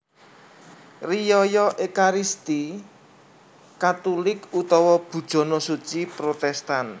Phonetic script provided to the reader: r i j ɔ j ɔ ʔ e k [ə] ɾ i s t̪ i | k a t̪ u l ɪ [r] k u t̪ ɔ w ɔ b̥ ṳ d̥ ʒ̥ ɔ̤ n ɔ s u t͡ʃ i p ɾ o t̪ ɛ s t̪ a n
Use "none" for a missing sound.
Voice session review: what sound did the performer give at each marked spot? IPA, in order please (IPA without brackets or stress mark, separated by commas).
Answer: a, none